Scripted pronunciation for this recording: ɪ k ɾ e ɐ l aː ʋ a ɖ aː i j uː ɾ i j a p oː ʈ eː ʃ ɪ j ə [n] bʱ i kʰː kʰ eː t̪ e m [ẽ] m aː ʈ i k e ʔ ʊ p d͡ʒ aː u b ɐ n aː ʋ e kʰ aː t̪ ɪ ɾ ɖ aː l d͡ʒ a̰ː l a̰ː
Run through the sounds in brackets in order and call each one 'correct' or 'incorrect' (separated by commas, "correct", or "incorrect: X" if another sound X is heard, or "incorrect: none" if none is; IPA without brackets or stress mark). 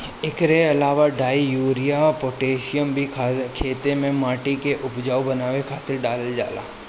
incorrect: m, correct